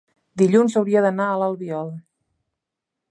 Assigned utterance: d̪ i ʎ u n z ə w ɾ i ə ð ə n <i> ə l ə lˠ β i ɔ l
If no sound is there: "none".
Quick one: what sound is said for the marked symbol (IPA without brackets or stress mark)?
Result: a